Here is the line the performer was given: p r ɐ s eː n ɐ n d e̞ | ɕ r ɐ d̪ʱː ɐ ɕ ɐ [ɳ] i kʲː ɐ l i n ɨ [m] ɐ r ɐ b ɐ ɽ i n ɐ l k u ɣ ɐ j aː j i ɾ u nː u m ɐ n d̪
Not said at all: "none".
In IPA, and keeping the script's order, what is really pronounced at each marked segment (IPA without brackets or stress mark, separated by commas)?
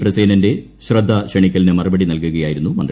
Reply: ɳ, m